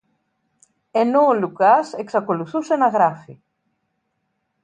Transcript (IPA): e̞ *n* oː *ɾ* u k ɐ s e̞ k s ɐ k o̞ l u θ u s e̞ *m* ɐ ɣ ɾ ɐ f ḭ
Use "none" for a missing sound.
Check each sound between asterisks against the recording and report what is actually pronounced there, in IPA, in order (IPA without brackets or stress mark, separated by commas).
n, l, n